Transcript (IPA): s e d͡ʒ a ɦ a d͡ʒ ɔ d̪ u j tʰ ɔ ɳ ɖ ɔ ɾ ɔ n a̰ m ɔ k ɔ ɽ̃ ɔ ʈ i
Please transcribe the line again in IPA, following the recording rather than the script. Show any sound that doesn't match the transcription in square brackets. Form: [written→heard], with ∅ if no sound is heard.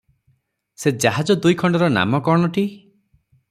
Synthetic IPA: s e d͡ʒ a ɦ a d͡ʒ ɔ d̪ u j [tʰ→kʰ] ɔ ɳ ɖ ɔ ɾ ɔ n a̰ m ɔ k ɔ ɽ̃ ɔ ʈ i